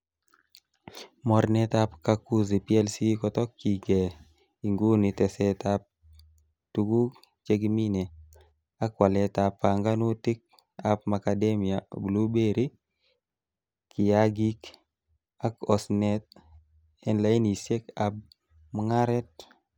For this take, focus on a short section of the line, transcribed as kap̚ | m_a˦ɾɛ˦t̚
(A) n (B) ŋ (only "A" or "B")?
B